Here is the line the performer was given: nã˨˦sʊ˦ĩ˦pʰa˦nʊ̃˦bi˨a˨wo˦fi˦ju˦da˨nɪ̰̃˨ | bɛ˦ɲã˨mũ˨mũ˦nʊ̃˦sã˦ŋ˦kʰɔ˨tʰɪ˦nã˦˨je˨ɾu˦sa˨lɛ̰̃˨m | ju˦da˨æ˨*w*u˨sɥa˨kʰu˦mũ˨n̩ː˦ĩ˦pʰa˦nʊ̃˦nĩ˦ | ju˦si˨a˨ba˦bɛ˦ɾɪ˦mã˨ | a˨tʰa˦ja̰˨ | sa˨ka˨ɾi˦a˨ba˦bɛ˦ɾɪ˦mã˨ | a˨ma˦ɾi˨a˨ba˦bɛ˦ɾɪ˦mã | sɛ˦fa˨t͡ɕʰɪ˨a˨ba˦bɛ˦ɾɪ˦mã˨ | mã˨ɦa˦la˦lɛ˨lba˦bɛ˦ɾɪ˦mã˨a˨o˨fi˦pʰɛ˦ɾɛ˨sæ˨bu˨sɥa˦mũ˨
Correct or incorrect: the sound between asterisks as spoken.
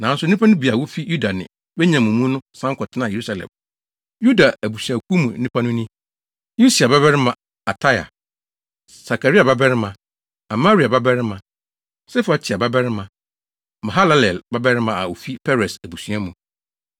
incorrect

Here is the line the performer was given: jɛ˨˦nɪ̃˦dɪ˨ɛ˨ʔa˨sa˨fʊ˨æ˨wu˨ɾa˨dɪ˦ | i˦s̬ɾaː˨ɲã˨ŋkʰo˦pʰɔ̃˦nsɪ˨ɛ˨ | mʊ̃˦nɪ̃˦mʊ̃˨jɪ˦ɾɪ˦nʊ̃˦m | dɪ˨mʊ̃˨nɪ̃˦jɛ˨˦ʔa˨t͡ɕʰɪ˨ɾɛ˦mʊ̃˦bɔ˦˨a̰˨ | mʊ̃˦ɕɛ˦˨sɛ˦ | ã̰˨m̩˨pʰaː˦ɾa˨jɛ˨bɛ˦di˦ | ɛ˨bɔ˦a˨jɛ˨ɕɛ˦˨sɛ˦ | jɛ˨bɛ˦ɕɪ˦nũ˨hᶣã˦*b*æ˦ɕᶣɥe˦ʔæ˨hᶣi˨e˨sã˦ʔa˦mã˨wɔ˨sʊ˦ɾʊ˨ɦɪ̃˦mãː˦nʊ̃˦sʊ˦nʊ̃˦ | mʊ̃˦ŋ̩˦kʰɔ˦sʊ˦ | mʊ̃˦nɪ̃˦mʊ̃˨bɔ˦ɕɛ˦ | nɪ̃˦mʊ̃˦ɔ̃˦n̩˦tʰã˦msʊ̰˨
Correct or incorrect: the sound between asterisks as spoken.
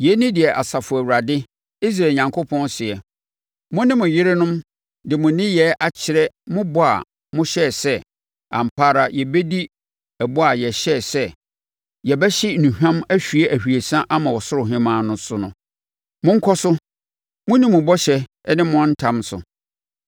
incorrect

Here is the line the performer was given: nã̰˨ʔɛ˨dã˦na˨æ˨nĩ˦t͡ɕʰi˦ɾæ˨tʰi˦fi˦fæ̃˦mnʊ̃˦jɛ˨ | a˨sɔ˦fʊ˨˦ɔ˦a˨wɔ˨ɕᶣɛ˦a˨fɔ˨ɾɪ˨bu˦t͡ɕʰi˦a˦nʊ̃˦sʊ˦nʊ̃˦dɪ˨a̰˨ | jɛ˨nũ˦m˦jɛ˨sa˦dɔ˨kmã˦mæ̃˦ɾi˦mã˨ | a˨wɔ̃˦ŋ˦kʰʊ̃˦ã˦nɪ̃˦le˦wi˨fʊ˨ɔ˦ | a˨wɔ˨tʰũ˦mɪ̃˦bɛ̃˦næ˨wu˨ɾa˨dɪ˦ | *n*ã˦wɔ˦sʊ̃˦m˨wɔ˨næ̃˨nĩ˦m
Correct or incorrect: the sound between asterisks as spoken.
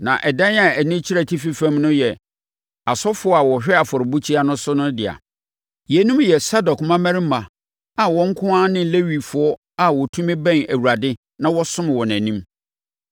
correct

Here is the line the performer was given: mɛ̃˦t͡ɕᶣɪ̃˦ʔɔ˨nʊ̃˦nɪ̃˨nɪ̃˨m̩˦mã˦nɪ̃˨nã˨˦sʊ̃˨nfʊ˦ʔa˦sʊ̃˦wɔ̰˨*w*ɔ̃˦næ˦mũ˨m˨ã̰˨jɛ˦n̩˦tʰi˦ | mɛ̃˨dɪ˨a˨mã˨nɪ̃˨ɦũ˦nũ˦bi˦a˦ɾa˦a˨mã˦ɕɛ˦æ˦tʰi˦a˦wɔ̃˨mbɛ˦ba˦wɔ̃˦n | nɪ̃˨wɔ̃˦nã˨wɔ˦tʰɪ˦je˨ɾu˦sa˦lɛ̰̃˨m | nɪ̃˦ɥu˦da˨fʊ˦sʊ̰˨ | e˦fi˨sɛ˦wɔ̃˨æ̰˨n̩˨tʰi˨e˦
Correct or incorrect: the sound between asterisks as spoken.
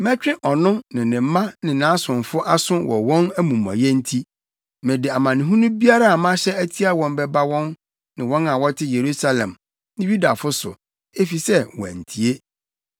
correct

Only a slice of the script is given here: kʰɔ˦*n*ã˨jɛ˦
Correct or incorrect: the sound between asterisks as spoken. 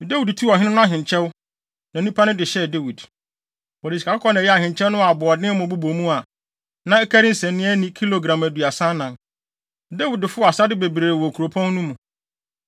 correct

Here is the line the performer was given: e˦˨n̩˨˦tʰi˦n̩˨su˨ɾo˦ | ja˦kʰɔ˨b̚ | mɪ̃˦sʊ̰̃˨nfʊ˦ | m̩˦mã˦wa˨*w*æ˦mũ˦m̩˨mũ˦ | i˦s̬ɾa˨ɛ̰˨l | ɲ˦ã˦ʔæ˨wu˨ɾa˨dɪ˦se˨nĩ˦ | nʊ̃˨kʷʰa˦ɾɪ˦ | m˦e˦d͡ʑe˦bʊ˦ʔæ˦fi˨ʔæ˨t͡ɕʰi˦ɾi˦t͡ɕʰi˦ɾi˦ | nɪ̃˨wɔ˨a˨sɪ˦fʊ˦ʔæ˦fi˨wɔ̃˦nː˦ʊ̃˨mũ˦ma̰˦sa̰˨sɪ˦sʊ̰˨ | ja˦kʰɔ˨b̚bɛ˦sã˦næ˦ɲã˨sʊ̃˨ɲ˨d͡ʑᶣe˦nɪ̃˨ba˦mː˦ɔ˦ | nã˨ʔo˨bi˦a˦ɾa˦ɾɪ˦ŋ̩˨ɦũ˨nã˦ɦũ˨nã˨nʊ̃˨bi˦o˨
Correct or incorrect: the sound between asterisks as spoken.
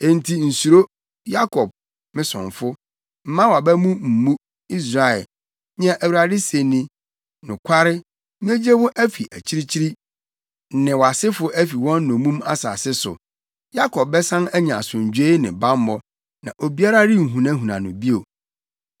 incorrect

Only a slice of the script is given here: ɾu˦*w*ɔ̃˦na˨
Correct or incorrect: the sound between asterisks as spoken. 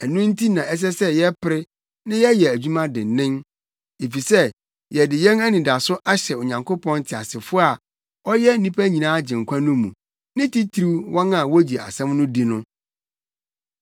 correct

